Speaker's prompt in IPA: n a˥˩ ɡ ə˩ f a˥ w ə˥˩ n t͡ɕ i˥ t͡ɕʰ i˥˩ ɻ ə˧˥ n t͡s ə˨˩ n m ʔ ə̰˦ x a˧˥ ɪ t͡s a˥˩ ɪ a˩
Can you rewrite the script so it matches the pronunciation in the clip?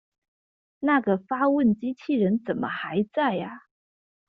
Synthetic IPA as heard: n a˥˩ ɡ ə˩ f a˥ w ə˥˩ n t͡ɕ i˥ t͡ɕʰ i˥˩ ɻ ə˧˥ n t͡s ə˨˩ n m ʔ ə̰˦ x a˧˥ ɪ t͡s a˥˩ ɪ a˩